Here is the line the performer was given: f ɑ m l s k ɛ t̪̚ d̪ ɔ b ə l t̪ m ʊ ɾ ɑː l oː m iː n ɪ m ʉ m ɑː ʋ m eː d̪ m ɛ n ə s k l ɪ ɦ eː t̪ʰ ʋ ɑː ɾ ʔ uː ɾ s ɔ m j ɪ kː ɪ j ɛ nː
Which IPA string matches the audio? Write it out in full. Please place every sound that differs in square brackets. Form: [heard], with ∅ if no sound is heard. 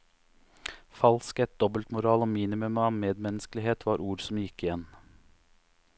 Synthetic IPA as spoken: f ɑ [∅] l s k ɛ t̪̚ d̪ ɔ b ə l t̪ m ʊ ɾ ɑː l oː m iː n ɪ m ʉ m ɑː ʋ m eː d̪ m ɛ n ə s k l ɪ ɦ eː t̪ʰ ʋ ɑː ɾ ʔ uː ɾ s ɔ m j ɪ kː ɪ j ɛ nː